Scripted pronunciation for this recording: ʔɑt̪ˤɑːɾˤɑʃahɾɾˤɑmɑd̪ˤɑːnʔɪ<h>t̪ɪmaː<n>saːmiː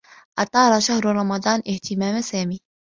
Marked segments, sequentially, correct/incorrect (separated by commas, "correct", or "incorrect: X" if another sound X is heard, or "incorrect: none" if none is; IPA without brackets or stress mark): correct, incorrect: m